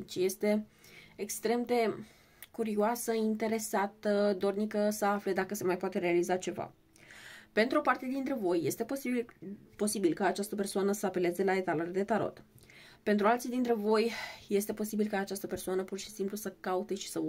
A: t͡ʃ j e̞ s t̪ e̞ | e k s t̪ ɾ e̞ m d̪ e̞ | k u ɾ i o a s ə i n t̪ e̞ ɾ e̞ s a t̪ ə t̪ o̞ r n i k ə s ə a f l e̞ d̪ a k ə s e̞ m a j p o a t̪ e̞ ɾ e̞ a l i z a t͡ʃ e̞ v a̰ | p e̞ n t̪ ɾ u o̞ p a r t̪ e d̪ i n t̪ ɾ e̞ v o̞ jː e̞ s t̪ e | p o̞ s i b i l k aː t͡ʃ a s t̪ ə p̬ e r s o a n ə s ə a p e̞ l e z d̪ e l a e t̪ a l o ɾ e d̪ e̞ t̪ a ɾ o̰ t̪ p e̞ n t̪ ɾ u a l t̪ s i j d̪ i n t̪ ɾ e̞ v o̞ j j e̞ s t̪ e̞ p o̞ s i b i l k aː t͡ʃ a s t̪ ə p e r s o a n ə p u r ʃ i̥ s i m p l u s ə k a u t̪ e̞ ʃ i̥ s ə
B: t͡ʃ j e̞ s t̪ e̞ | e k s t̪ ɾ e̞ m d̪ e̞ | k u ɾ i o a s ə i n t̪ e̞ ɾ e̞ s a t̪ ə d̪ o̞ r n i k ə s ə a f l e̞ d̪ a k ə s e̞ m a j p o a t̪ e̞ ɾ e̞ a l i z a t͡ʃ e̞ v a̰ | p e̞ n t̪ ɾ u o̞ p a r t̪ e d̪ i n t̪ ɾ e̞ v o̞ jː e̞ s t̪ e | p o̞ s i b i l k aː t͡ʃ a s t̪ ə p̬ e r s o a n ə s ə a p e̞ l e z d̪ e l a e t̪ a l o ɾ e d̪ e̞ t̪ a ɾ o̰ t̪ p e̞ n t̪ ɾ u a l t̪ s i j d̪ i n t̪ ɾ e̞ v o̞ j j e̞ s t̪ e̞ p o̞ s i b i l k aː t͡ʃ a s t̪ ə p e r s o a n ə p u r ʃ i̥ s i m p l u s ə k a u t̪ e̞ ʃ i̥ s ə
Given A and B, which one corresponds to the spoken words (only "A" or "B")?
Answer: B